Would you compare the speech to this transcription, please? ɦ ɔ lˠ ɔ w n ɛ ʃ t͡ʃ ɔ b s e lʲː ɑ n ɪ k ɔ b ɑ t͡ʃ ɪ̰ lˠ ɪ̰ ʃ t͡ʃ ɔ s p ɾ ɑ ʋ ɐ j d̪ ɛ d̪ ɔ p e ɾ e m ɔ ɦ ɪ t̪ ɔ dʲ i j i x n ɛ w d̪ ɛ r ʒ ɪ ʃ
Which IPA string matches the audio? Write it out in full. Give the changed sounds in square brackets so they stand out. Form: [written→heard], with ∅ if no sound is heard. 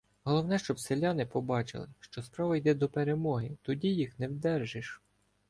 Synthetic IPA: ɦ ɔ lˠ ɔ w n ɛ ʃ t͡ʃ ɔ b s e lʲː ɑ n ɪ [k→p] ɔ b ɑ t͡ʃ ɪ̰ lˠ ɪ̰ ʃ t͡ʃ ɔ s p ɾ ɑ ʋ ɐ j d̪ ɛ d̪ ɔ p e ɾ e m ɔ ɦ ɪ t̪ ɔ dʲ i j i x n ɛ w d̪ ɛ r ʒ ɪ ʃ